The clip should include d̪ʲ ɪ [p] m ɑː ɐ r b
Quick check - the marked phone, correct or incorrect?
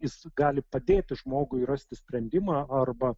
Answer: incorrect